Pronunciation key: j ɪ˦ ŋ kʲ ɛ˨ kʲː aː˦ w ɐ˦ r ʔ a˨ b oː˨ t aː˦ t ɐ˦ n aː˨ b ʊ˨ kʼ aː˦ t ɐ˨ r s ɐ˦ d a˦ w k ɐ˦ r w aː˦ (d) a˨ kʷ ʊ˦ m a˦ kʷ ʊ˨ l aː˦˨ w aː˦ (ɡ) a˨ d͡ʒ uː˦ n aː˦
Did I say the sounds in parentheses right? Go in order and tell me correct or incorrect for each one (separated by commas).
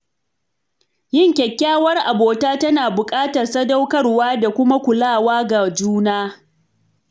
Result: correct, correct